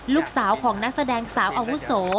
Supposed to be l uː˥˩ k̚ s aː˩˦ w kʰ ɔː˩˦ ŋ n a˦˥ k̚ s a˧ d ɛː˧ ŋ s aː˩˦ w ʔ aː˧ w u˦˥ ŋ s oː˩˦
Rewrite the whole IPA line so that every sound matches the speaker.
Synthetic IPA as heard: l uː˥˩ k̚ s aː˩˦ w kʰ ɔː˩˦ ŋ n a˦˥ k̚ s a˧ d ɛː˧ ŋ s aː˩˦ w ʔ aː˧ w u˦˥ s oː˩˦